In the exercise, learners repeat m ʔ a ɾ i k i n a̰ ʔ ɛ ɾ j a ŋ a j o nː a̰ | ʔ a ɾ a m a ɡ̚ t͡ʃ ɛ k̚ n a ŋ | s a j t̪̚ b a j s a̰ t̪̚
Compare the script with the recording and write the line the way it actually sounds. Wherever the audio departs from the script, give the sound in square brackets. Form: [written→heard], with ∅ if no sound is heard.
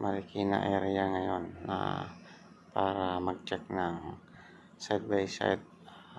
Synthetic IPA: m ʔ a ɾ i k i n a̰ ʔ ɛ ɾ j a ŋ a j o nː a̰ | [ʔ→p] a ɾ a m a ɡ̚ t͡ʃ ɛ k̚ n a ŋ | s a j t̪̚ b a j s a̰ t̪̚